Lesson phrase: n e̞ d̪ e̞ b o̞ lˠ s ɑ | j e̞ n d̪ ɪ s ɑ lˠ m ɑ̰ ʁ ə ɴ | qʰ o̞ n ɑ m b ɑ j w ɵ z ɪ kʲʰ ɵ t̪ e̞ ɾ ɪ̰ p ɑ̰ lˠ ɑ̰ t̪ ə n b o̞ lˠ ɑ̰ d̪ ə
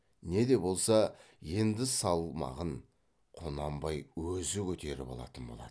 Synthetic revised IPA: n e̞ d̪ e̞ b o̞ lˠ s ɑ | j e̞ n d̪ ɪ s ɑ lˠ m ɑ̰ ʁ ə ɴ | qʰ o̞ n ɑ m b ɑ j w ɵ z ɪ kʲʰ ɵ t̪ e̞ ɾ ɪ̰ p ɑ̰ lˠ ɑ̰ t̪ ə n b o̞ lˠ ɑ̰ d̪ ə